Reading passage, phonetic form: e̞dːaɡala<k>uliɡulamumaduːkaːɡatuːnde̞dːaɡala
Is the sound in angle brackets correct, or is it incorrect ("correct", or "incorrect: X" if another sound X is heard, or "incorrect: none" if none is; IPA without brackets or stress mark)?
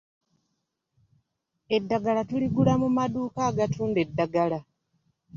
incorrect: t